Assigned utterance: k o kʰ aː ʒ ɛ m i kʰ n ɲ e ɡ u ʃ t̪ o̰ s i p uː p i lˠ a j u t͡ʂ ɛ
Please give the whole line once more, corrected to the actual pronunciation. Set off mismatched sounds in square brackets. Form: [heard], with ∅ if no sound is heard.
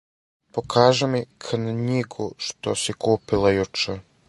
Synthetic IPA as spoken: [p] o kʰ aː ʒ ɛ m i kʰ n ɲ [i] ɡ u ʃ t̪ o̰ s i [k] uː p i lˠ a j u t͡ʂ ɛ